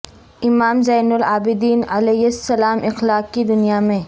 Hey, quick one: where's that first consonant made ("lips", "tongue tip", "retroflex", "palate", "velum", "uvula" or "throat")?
lips